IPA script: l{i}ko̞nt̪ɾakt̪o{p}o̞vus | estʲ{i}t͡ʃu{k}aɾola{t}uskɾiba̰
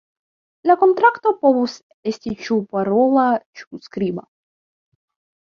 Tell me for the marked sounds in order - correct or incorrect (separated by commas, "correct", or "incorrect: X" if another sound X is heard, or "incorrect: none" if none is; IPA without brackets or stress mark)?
incorrect: a, correct, correct, incorrect: p, incorrect: t͡ʃ